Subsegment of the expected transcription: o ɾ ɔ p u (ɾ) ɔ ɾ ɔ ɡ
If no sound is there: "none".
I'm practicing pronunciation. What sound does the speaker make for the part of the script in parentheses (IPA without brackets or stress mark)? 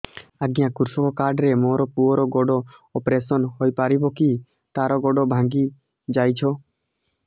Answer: none